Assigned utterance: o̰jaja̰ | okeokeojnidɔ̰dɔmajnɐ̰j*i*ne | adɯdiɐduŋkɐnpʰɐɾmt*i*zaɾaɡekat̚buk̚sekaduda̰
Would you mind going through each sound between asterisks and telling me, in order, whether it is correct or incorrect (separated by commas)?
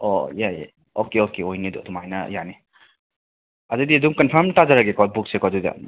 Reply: incorrect, incorrect